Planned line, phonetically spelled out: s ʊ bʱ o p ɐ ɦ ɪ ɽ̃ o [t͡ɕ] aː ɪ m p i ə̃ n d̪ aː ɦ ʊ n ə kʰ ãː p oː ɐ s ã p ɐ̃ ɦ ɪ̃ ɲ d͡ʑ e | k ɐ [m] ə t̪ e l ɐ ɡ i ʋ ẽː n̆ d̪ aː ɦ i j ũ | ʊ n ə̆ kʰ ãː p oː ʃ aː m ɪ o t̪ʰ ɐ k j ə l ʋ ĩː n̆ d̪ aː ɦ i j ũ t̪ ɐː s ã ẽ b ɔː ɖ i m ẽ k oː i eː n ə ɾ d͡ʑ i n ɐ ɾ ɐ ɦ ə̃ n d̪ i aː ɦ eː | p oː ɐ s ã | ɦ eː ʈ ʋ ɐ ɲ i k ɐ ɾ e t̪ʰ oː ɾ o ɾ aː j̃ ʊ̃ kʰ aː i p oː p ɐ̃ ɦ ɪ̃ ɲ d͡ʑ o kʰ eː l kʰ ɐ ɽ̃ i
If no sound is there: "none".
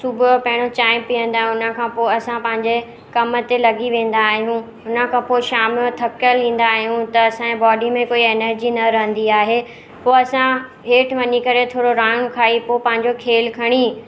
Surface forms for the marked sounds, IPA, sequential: t͡ɕ, m

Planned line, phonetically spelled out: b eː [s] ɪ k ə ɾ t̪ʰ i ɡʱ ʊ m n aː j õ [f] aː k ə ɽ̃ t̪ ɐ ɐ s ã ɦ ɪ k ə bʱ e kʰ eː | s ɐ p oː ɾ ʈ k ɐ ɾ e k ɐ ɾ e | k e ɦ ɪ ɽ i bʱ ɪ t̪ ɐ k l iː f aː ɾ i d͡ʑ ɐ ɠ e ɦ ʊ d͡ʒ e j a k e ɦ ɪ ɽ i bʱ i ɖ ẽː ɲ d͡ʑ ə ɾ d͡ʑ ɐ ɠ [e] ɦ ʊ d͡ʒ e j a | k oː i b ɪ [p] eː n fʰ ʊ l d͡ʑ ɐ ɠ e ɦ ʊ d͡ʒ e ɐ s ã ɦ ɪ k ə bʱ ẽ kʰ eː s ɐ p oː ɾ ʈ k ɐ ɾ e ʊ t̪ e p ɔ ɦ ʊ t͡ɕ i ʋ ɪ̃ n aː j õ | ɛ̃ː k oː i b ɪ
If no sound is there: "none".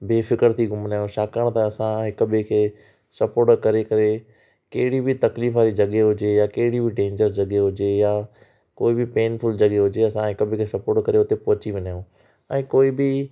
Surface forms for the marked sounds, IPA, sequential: f, ʃ, e, p

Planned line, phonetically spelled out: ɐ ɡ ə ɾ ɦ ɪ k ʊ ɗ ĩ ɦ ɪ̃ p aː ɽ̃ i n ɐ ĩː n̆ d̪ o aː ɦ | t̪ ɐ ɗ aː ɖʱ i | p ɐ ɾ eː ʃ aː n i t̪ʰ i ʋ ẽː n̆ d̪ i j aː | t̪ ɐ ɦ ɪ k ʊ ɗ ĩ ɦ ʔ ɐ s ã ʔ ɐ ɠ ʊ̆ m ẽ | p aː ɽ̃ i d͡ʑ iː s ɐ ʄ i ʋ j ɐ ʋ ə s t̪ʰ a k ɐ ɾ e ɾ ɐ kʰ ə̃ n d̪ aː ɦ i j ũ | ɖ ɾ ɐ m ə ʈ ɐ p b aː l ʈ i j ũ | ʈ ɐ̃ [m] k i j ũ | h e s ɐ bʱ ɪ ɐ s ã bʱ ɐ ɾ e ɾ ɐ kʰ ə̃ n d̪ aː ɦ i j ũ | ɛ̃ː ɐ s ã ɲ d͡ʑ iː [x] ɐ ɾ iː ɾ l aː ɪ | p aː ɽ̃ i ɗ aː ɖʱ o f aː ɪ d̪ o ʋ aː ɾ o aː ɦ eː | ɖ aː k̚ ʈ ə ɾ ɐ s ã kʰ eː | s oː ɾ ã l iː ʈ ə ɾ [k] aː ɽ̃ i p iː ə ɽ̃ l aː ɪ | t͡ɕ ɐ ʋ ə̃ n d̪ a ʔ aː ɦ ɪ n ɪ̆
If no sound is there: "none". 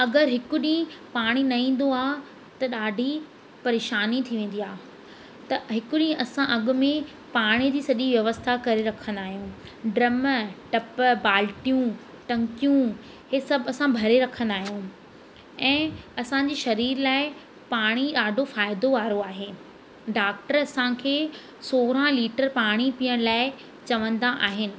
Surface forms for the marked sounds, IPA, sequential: ŋ, ʃ, p

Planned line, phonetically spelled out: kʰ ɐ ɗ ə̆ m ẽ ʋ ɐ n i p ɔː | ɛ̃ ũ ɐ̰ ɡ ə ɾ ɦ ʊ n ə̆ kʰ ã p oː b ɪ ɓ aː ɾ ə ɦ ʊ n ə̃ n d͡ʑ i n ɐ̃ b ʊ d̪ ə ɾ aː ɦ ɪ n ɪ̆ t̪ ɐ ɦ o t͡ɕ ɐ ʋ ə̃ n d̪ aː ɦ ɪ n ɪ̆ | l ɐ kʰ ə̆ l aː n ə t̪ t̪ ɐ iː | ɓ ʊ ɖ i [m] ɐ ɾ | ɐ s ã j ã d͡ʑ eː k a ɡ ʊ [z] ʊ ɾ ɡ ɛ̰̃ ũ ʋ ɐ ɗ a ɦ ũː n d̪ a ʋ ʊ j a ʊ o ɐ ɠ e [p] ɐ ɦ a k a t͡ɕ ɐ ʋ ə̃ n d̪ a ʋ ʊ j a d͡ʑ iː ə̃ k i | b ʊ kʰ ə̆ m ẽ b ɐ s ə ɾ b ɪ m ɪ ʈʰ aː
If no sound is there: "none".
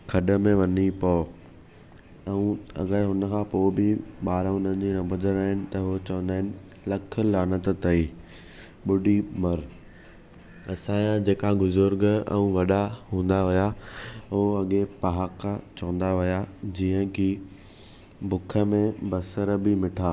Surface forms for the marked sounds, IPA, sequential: m, z, p

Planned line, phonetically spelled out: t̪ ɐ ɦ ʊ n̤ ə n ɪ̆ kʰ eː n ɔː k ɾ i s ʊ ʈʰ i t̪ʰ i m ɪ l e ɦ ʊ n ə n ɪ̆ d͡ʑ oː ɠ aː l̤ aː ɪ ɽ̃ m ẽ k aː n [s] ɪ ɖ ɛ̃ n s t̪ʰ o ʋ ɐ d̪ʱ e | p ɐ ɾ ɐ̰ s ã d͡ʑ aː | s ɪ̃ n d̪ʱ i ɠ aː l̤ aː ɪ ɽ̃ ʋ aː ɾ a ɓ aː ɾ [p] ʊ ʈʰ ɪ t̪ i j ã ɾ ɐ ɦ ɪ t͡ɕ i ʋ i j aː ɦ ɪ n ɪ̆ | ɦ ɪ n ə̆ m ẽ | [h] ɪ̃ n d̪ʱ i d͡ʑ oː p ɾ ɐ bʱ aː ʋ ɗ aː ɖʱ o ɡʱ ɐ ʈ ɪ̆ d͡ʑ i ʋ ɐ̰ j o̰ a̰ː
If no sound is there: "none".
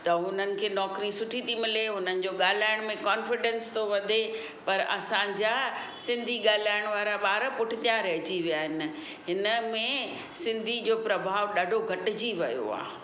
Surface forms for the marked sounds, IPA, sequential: f, p, s

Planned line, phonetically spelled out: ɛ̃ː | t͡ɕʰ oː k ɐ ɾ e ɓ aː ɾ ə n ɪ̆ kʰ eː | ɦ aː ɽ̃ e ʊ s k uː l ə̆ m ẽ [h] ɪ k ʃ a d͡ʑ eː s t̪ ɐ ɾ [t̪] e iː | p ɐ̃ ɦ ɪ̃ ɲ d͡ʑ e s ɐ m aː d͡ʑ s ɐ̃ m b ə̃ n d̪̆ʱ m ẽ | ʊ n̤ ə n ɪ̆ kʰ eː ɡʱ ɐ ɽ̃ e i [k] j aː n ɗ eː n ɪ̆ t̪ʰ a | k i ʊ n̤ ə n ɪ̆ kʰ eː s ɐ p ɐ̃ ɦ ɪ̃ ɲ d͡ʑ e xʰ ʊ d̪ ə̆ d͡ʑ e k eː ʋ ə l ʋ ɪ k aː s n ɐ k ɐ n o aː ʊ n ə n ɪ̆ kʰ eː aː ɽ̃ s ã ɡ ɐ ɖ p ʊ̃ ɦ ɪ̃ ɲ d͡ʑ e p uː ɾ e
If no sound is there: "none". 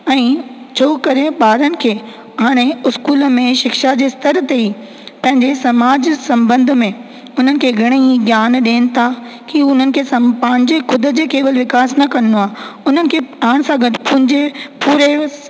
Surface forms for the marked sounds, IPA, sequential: ʃ, t̪, ɡ

